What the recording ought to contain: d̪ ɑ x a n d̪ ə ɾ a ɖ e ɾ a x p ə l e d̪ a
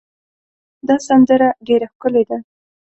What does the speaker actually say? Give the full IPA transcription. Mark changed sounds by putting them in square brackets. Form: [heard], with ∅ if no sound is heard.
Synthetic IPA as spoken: d̪ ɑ [s] a n d̪ ə ɾ a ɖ e ɾ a x [k] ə l e d̪ a